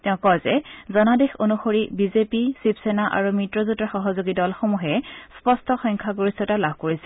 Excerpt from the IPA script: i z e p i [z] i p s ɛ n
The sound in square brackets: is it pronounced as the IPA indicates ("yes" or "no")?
no